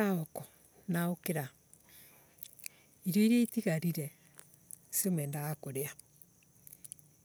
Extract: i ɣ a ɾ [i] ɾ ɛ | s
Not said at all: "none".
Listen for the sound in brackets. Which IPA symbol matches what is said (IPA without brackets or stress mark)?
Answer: i